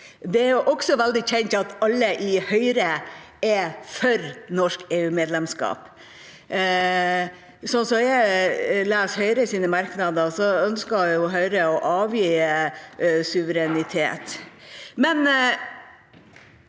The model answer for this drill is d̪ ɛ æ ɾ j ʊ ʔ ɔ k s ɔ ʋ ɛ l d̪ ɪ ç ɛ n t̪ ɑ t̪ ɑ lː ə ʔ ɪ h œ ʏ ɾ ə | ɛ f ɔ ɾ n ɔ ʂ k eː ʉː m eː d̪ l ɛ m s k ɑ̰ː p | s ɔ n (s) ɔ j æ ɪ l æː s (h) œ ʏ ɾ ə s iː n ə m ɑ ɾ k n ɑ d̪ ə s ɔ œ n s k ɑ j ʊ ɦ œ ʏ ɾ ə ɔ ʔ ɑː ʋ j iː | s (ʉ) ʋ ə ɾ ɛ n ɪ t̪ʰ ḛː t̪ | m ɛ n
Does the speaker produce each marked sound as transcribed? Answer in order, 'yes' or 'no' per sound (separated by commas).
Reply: yes, yes, yes